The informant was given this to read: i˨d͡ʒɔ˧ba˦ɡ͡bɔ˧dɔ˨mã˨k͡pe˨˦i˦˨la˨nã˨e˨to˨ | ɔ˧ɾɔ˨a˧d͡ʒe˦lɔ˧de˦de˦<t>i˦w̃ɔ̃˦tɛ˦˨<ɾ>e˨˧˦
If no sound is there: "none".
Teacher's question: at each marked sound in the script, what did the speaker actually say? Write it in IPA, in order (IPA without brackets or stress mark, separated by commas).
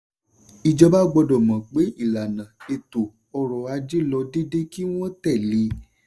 k, l